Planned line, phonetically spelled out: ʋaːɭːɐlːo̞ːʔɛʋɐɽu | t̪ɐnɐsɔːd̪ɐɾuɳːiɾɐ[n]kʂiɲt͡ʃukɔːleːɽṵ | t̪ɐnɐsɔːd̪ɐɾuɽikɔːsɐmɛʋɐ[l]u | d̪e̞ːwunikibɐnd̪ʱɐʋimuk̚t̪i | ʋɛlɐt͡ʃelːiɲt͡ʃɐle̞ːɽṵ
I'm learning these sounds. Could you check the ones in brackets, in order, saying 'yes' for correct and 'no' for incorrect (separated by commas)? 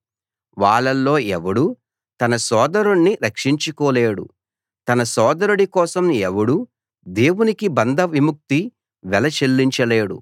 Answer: no, no